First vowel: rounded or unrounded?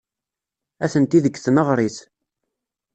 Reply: unrounded